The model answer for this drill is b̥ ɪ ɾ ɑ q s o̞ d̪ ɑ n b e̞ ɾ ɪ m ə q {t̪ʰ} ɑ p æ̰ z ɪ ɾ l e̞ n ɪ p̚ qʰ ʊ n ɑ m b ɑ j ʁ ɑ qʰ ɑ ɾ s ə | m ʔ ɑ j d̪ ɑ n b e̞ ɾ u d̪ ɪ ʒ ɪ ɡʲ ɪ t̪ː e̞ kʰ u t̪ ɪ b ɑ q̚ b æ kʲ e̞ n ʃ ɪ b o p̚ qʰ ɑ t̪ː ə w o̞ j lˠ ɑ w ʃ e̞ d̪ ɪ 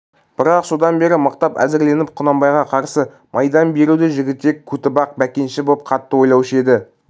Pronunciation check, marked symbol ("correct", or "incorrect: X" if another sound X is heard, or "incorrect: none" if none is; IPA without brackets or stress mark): incorrect: t̪